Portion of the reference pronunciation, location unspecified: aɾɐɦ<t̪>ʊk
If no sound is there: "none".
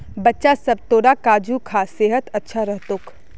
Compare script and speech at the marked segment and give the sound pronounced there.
t̪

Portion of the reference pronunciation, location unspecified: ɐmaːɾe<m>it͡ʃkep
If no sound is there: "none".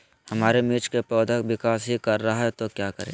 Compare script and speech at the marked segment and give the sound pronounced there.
m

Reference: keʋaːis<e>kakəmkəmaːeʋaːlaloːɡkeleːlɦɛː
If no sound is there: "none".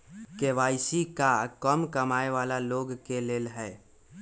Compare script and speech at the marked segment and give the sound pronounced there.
i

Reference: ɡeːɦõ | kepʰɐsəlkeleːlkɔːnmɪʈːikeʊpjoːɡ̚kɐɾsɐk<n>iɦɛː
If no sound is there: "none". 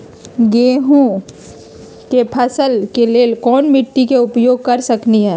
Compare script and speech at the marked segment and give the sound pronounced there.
n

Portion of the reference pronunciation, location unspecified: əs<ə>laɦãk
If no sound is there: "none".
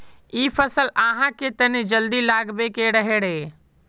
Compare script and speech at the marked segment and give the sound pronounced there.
ə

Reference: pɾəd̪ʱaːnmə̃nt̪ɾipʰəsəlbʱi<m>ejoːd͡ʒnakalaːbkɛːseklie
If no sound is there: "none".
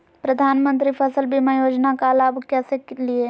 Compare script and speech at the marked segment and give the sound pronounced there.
m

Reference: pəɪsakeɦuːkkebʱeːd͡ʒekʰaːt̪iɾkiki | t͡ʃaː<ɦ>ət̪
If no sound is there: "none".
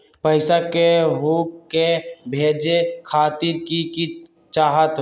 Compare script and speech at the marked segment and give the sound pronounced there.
ɦ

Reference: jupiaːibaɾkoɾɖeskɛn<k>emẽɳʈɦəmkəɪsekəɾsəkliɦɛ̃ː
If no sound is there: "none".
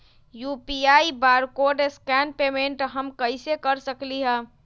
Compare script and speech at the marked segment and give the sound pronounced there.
p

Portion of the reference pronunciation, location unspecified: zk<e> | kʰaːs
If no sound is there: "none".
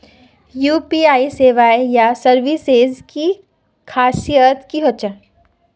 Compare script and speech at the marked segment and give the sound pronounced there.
i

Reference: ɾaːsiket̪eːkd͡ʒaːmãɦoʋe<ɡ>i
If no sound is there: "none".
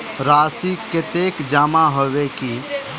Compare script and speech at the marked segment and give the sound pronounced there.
k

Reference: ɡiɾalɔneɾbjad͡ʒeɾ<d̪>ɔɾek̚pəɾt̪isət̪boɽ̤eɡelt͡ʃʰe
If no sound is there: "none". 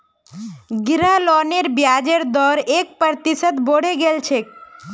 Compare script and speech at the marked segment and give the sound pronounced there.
d̪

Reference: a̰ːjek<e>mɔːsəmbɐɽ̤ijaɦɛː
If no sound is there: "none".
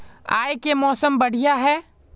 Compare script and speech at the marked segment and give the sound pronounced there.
e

